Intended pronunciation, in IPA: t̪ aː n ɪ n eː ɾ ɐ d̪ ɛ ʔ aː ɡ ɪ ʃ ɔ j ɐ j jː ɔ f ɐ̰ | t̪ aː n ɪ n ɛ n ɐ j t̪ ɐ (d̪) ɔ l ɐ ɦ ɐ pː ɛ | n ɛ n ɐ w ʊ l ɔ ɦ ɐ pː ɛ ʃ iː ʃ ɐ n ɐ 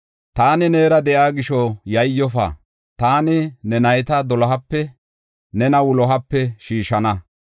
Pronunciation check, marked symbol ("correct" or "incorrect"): correct